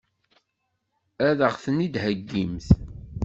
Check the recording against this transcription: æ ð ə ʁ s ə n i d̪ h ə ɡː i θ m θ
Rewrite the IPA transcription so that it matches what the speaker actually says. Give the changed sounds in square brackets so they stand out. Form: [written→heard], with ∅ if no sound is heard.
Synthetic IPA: æ ð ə ʁ [s→θ] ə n i d̪ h ə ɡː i [θ→∅] m θ